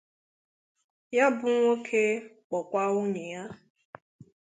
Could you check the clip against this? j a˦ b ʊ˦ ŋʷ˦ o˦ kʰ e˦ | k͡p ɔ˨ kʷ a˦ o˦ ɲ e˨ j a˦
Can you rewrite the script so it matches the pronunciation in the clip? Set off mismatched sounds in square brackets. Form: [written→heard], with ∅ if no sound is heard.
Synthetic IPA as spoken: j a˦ b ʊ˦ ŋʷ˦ o˦ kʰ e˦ | k͡p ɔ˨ kʷ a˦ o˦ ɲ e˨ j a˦

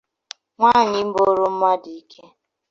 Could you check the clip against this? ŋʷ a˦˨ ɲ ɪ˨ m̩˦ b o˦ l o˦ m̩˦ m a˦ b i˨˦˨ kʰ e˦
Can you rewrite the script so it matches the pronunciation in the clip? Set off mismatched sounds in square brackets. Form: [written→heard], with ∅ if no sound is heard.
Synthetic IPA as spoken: ŋʷ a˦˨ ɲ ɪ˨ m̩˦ b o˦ [l→ɾ] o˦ m̩˦ m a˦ [b→d] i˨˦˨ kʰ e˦

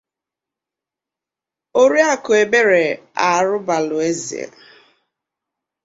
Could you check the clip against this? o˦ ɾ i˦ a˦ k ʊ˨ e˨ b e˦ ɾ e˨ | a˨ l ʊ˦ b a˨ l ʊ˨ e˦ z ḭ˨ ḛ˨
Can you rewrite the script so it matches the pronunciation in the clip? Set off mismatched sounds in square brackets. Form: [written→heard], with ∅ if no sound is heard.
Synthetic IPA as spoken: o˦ ɾ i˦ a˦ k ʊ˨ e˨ b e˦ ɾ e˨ | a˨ [l→ɾ] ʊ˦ b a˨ l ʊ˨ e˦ z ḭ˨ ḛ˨

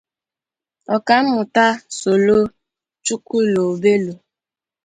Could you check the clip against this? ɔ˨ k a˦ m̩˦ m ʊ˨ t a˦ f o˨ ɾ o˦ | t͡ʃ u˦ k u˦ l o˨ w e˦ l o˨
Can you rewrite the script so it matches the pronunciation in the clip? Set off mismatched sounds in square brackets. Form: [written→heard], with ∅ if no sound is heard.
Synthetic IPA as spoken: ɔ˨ k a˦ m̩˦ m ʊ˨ t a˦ [f→s] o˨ [ɾ→l] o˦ | t͡ʃ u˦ k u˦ l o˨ [w→b] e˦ l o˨

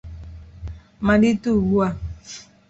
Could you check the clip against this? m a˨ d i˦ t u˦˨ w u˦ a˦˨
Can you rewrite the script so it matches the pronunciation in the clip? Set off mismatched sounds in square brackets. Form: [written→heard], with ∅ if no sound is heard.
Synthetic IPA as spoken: m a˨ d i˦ t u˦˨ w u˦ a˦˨

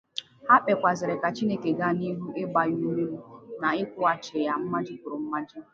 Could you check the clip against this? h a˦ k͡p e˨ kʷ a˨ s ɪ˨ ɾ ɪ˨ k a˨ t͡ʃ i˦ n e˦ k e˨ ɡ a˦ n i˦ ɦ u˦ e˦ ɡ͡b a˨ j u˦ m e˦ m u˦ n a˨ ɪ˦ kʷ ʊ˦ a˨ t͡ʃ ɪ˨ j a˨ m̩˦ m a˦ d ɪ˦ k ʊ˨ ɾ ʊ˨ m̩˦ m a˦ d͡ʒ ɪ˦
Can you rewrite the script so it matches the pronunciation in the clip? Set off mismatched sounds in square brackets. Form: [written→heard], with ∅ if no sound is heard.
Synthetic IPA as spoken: h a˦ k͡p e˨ kʷ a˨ [s→z] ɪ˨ ɾ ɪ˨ k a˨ t͡ʃ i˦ n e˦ k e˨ ɡ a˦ n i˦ ɦ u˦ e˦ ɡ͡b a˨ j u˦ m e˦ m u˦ n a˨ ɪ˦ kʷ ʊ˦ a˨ t͡ʃ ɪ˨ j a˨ m̩˦ m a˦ [d→d͡ʒ] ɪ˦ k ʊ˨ ɾ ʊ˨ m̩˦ m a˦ d͡ʒ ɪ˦

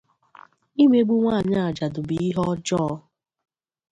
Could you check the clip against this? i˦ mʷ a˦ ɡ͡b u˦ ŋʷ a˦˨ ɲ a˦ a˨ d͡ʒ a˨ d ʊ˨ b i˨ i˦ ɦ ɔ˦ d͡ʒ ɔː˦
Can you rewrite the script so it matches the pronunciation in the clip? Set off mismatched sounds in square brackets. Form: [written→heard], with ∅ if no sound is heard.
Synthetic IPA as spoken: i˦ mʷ [a˦→e˦] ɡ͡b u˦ ŋʷ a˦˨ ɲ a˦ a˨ d͡ʒ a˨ d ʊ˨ b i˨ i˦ ɦ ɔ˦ d͡ʒ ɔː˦

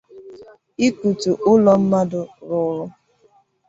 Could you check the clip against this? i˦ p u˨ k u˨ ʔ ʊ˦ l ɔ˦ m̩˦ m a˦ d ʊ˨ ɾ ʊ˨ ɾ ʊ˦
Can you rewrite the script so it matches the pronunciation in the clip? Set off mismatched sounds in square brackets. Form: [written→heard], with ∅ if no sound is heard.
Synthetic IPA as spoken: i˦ [p→k] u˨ [k→t] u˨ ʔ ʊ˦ l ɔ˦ m̩˦ m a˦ d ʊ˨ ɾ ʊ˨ ɾ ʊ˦

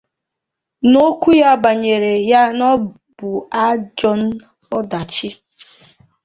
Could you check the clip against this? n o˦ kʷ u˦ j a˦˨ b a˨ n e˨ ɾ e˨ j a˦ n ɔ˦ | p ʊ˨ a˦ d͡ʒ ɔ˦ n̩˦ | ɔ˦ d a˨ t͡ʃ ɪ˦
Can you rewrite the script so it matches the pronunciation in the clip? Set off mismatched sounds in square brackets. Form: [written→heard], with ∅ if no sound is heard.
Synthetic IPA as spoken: n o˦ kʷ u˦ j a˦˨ b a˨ [n→ɲ] e˨ ɾ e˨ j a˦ n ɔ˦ | [p→b] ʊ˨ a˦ d͡ʒ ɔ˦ n̩˦ | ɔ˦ d a˨ t͡ʃ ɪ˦

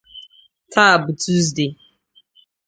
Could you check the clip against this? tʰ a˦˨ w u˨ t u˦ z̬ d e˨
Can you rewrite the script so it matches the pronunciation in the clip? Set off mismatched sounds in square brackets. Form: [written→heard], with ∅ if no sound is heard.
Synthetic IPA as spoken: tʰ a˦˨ [w→b] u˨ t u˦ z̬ d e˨

